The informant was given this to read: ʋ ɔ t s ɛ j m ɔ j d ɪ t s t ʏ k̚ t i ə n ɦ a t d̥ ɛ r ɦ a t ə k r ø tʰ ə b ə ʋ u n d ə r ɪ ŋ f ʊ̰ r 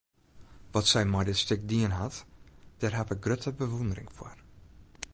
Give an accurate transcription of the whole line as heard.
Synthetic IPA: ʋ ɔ t s ɛ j m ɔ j d ɪ t s t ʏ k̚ d i ə n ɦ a t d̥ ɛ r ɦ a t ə ɡ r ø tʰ ə b ə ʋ u n d ə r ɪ ŋ f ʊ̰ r

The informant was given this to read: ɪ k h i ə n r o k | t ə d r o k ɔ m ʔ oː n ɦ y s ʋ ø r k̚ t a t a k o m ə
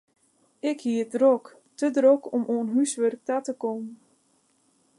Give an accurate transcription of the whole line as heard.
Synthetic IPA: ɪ k h i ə d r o k | t ə d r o k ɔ m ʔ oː n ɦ y s ʋ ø r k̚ t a t ə k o m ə

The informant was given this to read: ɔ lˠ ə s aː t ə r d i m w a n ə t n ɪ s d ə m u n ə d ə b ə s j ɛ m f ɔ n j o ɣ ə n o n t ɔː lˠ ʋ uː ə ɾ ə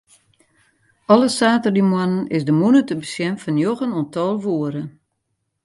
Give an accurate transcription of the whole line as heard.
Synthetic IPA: ɔ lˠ ə s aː t ə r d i m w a n ə n ɪ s d ə m u n ə t ə b ə s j ɛ m f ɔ n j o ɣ ə n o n t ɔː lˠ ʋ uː ə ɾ ə

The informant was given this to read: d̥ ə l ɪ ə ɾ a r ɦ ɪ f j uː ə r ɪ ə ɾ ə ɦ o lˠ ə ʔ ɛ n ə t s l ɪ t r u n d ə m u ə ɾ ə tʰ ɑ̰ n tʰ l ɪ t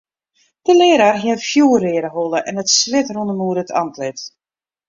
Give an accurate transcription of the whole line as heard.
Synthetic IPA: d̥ ə l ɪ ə ɾ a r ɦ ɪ f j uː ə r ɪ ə ɾ ə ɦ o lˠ ə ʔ ɛ n ə t s l ɪ t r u n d ə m u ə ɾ ə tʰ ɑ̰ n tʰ l ɪ t

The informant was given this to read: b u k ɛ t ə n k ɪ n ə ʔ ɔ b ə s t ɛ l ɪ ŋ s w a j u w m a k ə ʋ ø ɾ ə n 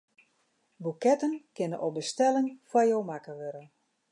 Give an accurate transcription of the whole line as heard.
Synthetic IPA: b u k ɛ t ə n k ɪ n ə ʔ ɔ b ə s t ɛ l ɪ ŋ f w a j o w m a k ə ʋ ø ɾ ə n

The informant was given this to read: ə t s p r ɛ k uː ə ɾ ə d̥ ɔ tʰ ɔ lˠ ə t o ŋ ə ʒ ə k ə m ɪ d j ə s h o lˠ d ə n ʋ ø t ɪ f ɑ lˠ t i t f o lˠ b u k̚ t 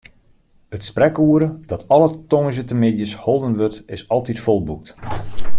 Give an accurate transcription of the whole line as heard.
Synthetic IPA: ə t s p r ɛ k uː ə ɾ ə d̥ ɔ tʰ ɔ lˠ ə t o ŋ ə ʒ ə t ə m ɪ d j ə s h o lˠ d ə n ʋ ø t ɪ s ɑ lˠ t i t f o lˠ b u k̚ t

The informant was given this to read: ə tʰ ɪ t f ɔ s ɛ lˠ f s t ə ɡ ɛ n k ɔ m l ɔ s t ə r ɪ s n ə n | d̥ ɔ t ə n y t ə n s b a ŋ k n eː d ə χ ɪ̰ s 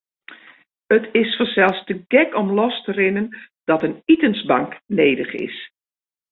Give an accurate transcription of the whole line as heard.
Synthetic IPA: ə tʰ ɪ s f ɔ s ɛ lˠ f s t ə ɡ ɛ k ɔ m l ɔ s t ə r ɪ n ə n | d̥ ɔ t ə n i t ə n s b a ŋ k n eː d ə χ ɪ̰ s

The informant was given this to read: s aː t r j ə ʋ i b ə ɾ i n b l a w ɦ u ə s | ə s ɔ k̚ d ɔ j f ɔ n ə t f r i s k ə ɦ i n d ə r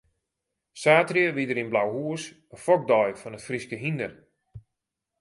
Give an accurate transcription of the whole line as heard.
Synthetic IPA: s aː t r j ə ʋ i d ə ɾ i n b l a w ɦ u ə s | ə f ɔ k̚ d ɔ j f ɔ n ə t f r i s k ə ɦ i n d ə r

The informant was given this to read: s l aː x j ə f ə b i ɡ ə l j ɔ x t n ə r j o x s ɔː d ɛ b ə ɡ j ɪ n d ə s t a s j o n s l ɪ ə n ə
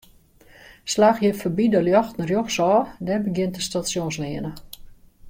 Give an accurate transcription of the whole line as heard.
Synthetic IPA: s l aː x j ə f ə b i d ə l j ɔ x t n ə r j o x s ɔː d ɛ b ə ɡ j ɪ n t ə s t a s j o n s l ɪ ə n ə

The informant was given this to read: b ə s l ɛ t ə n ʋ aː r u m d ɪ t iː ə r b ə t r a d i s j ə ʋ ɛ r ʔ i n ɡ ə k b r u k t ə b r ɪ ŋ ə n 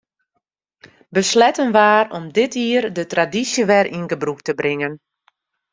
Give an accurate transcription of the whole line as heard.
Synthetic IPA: b ə s l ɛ t ə n ʋ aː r ɔ m d ɪ t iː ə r d ə t r a d i s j ə ʋ ɛ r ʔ i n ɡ ə b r u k t ə b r ɪ ŋ ə n

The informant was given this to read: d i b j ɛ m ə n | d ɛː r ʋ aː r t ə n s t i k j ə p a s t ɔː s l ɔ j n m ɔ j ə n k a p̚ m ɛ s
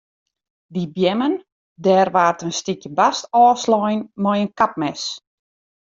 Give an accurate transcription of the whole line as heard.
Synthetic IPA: d i b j ɛ m ə n | d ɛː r ʋ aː r t ə n s t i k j ə b a s t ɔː s l ɔ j n m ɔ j ə n k a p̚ m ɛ s

